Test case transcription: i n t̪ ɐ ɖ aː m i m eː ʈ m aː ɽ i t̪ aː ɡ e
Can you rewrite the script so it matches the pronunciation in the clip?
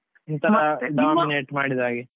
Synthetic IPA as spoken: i n t̪ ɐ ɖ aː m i n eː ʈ m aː ɽ i d̪ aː ɡ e